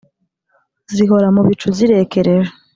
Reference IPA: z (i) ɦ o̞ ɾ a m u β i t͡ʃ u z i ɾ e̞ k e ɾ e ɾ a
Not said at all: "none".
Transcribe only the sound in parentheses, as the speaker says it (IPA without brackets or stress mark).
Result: i